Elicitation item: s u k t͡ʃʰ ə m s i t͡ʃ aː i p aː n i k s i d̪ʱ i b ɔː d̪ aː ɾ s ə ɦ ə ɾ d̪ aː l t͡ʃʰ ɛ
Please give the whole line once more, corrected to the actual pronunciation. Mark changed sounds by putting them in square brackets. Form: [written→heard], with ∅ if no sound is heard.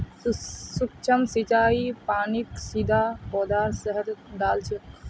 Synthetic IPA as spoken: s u k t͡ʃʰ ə m s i t͡ʃ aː i p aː n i k s i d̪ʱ [i→a] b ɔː d̪ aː ɾ s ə ɦ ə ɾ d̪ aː l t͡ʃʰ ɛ

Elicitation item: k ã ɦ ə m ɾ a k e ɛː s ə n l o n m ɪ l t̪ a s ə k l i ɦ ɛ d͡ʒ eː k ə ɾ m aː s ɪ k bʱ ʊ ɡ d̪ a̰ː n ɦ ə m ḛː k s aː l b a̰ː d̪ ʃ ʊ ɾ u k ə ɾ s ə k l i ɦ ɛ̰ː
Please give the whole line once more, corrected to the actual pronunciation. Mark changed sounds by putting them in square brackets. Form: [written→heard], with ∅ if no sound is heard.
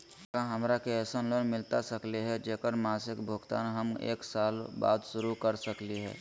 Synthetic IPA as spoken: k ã ɦ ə m ɾ a k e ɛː s ə n l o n m ɪ l t̪ a s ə k l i ɦ ɛ d͡ʒ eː k ə ɾ m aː s ɪ k bʱ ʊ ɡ [d̪→t̪] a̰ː n ɦ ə m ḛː k s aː l b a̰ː d̪ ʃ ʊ ɾ u k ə ɾ s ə k l i ɦ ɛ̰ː

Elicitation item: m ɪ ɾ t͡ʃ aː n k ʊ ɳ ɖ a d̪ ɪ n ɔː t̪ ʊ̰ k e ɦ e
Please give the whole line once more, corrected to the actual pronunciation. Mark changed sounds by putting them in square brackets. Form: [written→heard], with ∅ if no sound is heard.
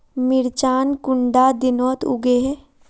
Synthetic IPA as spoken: m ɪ ɾ t͡ʃ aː n k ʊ ɳ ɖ a d̪ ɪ n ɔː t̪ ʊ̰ [k→ɡ] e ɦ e

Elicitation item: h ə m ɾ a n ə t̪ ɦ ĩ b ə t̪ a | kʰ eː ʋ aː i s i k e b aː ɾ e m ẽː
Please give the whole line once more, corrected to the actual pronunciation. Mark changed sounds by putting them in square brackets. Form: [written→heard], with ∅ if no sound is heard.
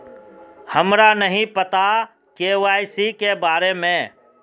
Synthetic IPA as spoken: h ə m ɾ a n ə [t̪→∅] ɦ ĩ [b→p] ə t̪ a | [kʰ→k] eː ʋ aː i s i k e b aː ɾ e m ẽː

